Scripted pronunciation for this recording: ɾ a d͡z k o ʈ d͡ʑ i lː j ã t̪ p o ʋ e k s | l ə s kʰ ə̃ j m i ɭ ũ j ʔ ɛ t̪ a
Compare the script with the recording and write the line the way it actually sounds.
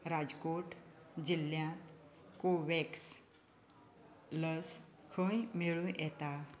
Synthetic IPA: ɾ a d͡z k o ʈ d͡ʑ i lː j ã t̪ k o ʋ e k s | l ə s kʰ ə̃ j m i ɭ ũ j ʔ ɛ t̪ a